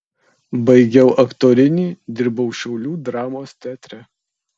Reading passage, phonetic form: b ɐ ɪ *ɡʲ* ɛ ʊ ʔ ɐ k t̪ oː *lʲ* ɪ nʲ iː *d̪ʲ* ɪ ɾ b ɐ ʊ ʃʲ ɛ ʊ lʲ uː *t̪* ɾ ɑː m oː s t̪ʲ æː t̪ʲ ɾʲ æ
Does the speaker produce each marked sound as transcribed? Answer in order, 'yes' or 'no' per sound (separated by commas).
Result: yes, no, yes, no